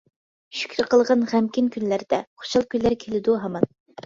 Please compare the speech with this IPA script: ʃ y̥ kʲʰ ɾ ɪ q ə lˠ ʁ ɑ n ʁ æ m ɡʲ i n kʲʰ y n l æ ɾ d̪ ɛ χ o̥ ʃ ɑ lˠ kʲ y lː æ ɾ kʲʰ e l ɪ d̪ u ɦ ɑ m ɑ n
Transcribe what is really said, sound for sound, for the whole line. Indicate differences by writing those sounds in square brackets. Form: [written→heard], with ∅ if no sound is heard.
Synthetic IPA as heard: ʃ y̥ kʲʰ ɾ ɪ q ə lˠ ʁ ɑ n ʁ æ m [ɡʲ→kʲ] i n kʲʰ y n l æ ɾ d̪ ɛ χ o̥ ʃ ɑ lˠ kʲ y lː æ ɾ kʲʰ e l ɪ d̪ u ɦ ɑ m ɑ n